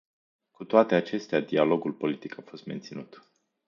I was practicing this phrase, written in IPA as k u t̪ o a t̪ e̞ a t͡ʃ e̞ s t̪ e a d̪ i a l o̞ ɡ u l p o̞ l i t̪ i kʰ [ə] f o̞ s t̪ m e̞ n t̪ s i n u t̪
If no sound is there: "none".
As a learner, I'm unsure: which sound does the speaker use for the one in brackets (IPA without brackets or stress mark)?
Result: a